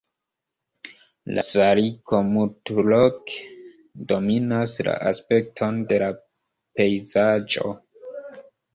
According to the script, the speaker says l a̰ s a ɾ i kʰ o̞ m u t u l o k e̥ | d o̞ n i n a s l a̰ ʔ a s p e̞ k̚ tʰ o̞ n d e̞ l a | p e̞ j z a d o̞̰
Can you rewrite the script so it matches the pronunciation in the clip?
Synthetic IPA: l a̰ s a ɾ i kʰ o̞ m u t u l o k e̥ | d o̞ m i n a s l a̰ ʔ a s p e̞ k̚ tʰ o̞ n d e̞ l a | p e̞ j z a d͡ʒ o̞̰